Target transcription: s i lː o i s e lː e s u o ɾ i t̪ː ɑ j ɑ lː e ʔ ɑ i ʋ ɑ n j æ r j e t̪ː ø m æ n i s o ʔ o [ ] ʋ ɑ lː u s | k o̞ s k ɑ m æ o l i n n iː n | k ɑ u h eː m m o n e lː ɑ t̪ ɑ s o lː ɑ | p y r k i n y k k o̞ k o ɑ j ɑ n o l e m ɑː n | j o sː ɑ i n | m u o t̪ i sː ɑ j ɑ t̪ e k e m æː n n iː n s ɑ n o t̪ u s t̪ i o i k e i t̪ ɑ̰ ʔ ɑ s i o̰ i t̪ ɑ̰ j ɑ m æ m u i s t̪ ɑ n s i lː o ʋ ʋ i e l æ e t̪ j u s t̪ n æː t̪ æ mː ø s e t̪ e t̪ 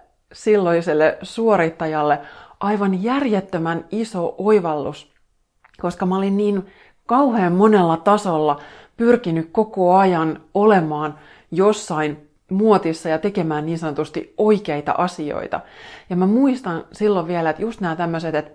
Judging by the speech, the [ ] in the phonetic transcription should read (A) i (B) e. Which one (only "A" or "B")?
A